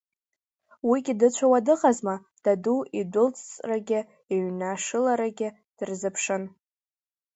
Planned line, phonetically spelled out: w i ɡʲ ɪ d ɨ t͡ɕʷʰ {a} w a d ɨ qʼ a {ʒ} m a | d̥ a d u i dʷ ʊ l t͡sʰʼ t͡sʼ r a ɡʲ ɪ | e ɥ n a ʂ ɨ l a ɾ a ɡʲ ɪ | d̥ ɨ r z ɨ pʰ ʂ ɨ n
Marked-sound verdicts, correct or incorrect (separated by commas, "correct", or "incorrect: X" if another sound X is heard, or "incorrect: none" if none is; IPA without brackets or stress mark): correct, incorrect: z